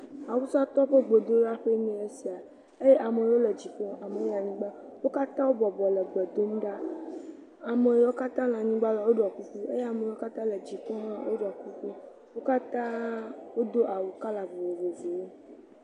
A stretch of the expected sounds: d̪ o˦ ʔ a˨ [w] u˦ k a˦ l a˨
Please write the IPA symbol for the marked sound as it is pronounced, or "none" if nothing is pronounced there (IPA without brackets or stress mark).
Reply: w